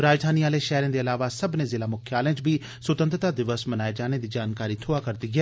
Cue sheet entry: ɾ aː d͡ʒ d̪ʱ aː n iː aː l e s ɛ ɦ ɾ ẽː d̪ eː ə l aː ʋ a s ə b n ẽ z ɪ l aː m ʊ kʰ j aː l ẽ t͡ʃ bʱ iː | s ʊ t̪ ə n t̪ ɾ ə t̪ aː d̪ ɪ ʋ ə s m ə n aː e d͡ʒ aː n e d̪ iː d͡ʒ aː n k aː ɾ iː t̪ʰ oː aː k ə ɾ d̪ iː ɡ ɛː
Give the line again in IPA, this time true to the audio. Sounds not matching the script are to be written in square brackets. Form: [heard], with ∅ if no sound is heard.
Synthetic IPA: ɾ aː d͡ʒ d̪ʱ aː n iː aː l e [ʃ] ɛ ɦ ɾ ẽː d̪ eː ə l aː ʋ a s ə b n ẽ z ɪ l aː m ʊ kʰ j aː l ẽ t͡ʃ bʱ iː | s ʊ t̪ ə n t̪ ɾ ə t̪ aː d̪ ɪ ʋ ə s m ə n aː e d͡ʒ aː n e d̪ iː d͡ʒ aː n k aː ɾ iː t̪ʰ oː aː k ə ɾ d̪ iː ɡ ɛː